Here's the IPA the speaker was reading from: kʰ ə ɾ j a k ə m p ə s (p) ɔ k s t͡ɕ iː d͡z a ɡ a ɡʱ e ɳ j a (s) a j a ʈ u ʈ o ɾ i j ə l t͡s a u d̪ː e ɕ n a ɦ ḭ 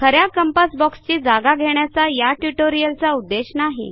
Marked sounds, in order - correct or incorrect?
incorrect: b, incorrect: t͡s

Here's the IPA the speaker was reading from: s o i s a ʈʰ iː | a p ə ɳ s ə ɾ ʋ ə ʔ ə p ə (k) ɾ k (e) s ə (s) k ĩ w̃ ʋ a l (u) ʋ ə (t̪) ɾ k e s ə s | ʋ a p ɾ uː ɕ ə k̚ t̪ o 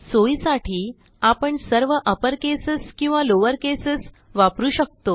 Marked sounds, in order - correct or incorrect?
incorrect: none, correct, correct, incorrect: o, incorrect: none

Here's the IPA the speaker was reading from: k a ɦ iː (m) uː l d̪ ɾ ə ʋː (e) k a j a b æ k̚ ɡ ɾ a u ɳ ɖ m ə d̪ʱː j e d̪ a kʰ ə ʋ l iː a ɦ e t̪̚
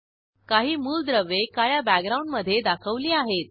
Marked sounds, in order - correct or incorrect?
correct, correct

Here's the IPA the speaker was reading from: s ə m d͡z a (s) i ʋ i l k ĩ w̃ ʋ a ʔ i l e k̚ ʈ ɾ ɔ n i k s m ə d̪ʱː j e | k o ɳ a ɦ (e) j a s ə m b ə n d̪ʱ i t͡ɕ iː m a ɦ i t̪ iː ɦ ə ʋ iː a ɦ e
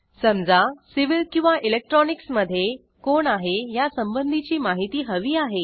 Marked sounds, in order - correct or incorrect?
correct, correct

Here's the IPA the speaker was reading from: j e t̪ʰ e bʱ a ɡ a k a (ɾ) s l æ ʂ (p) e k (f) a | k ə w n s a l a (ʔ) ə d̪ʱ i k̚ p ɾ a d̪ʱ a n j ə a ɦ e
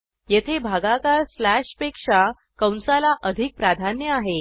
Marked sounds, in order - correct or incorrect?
correct, correct, incorrect: ʂ, correct

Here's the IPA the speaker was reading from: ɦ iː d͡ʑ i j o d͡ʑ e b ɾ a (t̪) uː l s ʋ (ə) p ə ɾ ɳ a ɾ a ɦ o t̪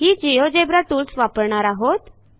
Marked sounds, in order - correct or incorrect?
correct, incorrect: a

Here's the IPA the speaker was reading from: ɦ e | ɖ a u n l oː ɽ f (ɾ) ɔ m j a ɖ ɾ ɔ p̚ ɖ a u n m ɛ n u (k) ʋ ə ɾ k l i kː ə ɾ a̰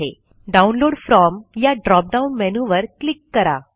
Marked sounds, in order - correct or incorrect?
correct, incorrect: none

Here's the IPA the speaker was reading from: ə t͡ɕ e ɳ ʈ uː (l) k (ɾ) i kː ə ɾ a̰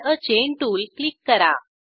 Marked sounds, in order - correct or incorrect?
correct, incorrect: l

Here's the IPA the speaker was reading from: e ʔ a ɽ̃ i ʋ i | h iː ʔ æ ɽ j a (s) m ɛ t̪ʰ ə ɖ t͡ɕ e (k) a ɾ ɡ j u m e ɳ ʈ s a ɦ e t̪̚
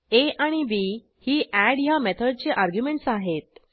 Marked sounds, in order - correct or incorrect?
incorrect: none, incorrect: ʔ

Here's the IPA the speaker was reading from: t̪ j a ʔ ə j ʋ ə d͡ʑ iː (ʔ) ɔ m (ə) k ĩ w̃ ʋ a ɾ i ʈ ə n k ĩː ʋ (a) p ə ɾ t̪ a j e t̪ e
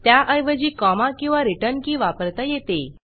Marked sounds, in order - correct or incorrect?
incorrect: k, incorrect: a, correct

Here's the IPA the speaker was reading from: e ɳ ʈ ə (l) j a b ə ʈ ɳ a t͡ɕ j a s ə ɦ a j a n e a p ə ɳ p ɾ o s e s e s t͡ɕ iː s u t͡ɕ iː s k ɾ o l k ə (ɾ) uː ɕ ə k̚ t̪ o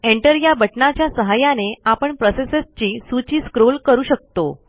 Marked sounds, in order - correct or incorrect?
incorrect: ɾ, correct

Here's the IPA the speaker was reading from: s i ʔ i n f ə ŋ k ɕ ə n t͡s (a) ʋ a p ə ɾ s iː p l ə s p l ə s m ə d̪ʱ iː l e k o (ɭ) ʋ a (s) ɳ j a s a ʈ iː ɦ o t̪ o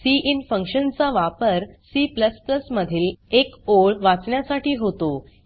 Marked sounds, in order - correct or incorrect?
correct, correct, incorrect: t͡s

